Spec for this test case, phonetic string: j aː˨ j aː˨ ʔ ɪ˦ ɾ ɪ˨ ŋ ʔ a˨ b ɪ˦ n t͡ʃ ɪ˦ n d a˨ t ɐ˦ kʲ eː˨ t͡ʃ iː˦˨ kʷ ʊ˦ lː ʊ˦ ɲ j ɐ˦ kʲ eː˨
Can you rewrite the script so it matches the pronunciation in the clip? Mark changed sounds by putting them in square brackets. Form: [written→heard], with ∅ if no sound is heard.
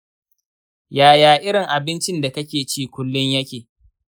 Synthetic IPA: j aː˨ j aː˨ ʔ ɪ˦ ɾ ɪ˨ ŋ ʔ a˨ b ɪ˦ n t͡ʃ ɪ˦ n d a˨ [t→k] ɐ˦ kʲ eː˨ t͡ʃ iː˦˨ kʷ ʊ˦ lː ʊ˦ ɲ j ɐ˦ kʲ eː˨